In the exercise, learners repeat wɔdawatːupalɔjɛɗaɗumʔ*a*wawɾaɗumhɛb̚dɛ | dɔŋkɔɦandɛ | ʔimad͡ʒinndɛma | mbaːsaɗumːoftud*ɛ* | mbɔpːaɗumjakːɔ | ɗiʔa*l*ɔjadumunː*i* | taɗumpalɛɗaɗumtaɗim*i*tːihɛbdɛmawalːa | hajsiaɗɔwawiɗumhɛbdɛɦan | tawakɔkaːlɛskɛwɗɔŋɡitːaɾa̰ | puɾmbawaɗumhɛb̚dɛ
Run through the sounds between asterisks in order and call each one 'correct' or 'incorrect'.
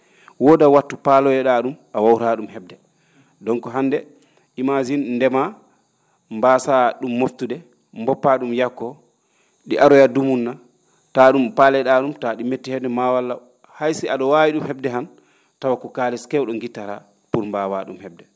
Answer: correct, correct, incorrect: ɾ, incorrect: a, incorrect: e

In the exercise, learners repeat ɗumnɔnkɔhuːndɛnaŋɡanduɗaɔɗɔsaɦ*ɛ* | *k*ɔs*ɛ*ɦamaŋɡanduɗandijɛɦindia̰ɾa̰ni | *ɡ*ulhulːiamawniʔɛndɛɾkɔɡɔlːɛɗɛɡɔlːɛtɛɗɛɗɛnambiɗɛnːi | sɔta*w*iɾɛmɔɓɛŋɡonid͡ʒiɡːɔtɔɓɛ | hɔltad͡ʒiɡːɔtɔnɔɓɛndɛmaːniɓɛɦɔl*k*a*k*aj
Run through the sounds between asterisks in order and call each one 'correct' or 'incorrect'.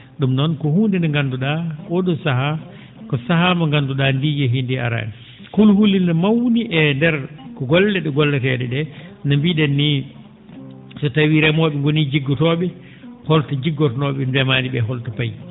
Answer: incorrect: a, correct, incorrect: a, incorrect: k, correct, incorrect: t, incorrect: p

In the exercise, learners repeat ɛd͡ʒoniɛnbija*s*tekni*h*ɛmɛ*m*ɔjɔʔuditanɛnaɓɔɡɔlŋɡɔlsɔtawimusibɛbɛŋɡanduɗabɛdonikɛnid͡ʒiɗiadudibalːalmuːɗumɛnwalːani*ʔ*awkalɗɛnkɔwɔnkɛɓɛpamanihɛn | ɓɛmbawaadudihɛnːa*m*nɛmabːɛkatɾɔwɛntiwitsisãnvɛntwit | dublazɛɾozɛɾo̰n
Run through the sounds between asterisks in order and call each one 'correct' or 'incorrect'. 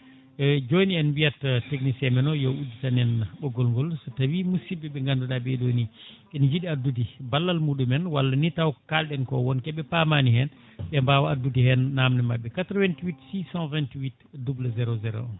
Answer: incorrect: t, incorrect: s, incorrect: n, incorrect: t, correct

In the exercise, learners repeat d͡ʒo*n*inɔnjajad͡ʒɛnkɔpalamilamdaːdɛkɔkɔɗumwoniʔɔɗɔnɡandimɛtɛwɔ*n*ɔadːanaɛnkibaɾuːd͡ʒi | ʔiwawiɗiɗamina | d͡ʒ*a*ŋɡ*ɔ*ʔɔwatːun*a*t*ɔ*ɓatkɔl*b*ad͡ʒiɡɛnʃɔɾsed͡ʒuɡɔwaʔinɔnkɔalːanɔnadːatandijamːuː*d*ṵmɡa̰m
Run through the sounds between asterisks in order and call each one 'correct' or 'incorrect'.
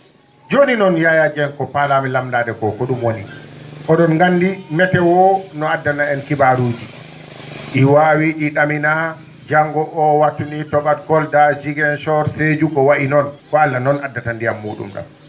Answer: correct, correct, correct, correct, incorrect: i, correct, incorrect: d, incorrect: ɗ

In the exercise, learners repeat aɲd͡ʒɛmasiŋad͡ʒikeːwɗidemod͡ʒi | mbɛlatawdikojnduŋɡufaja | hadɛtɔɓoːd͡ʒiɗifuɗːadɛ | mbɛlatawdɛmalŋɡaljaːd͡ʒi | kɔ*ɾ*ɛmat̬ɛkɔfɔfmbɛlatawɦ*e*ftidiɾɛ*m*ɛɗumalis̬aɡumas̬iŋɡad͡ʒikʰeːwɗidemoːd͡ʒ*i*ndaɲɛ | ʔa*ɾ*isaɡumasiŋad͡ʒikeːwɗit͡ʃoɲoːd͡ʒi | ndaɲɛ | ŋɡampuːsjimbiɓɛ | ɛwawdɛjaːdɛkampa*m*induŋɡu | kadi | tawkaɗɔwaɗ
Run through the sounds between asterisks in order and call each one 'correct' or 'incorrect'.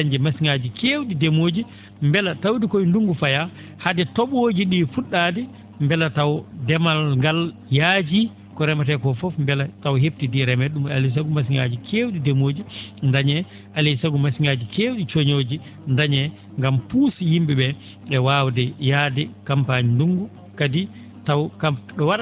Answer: correct, correct, correct, correct, incorrect: l, incorrect: ɲ

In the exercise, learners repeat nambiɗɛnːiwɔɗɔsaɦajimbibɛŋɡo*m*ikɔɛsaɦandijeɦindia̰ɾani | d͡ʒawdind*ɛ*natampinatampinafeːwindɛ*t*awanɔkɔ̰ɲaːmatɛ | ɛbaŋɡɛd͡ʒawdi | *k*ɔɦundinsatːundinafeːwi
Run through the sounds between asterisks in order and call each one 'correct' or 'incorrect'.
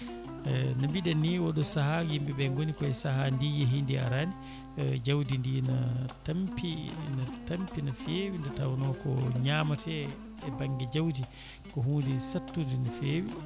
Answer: incorrect: n, incorrect: i, correct, correct

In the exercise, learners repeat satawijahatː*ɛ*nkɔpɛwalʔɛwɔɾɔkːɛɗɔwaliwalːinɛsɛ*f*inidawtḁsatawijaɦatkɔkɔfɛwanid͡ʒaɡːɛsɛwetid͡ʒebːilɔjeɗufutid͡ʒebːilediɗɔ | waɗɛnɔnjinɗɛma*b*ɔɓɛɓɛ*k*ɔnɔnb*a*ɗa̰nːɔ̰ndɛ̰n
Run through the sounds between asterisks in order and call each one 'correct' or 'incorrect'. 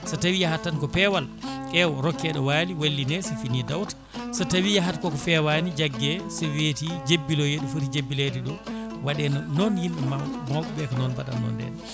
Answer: incorrect: a, correct, incorrect: m, correct, correct

